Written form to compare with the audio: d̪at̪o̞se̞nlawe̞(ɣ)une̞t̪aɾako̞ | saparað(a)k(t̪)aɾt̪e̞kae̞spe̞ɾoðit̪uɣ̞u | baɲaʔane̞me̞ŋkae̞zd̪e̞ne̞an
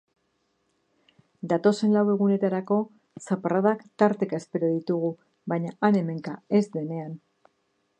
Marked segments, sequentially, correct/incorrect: correct, correct, correct

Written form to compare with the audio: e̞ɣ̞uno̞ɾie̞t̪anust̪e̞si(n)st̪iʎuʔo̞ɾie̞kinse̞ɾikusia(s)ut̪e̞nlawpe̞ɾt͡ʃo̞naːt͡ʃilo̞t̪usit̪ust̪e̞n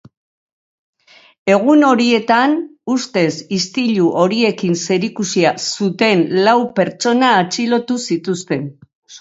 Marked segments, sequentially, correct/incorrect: incorrect, correct

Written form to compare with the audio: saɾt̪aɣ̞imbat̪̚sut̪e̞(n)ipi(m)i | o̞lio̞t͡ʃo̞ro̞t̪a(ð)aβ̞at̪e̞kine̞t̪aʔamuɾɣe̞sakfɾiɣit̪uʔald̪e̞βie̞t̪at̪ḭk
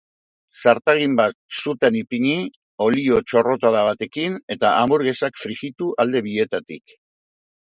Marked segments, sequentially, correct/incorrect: correct, incorrect, correct

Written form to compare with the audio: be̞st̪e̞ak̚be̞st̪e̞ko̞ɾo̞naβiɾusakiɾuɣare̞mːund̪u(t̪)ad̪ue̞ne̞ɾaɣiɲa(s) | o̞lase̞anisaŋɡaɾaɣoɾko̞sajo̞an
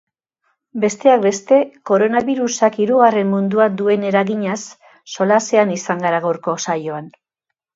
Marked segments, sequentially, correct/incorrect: incorrect, incorrect

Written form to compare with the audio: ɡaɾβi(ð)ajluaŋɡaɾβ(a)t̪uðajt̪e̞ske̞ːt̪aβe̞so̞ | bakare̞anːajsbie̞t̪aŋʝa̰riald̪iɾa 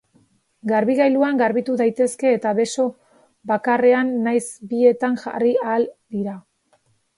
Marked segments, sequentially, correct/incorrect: incorrect, incorrect

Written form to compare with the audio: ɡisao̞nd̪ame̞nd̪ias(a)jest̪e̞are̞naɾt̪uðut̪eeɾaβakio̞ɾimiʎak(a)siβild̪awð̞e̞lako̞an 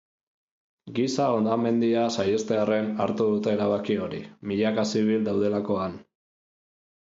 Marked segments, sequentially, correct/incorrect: correct, correct

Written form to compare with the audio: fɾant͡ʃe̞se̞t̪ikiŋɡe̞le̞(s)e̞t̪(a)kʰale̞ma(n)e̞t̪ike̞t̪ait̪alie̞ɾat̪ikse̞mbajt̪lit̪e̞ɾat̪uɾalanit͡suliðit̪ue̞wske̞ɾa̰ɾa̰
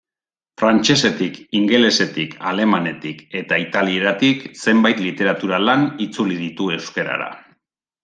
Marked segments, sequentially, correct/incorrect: correct, incorrect, correct

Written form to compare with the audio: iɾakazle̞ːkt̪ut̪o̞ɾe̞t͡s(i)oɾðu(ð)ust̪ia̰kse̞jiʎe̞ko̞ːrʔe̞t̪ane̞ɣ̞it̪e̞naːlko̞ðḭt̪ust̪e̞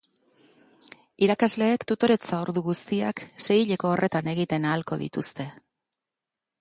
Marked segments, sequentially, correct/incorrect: incorrect, incorrect

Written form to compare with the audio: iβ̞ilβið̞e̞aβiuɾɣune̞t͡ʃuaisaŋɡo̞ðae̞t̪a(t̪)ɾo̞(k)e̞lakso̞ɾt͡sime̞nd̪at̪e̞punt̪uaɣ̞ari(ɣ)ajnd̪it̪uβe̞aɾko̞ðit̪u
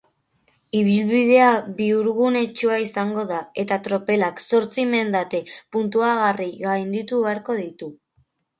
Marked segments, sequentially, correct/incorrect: correct, incorrect, correct

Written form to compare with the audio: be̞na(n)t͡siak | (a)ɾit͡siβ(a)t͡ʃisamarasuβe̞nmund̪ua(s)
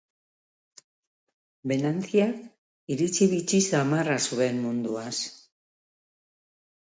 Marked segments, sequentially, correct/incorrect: correct, incorrect, incorrect, correct

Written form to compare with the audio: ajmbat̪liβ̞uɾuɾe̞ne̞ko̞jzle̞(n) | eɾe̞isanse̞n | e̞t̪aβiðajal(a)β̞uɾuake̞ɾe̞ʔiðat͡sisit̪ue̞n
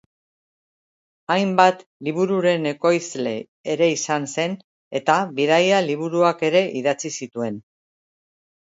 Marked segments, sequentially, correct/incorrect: incorrect, incorrect

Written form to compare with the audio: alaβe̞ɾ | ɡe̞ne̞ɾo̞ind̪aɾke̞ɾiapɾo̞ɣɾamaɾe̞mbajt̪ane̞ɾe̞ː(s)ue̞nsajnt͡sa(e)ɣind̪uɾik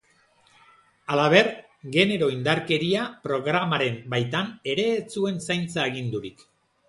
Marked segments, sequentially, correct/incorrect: incorrect, correct

